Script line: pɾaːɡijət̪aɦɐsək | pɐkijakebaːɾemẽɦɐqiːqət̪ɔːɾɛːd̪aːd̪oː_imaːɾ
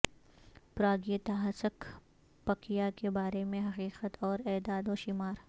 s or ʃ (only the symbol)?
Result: ʃ